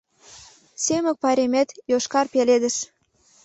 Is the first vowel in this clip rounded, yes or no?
no